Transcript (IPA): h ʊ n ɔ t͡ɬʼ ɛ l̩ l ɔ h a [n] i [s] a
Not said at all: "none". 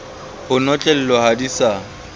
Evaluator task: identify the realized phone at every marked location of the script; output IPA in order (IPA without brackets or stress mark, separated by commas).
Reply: d, s